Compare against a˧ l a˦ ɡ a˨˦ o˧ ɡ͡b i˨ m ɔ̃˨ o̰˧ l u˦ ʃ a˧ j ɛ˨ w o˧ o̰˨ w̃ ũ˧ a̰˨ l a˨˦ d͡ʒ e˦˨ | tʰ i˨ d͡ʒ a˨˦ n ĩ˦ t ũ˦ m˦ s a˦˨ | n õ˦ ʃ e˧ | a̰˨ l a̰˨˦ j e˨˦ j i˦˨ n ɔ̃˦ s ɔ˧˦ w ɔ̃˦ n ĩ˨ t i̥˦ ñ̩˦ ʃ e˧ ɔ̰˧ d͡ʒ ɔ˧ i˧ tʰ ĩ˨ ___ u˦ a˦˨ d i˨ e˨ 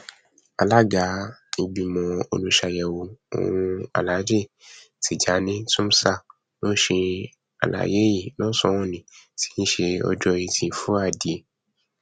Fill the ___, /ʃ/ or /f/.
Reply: f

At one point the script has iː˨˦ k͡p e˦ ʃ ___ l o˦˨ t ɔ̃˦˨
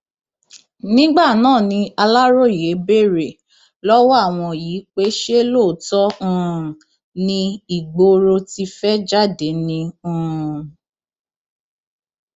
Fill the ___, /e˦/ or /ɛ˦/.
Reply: e˦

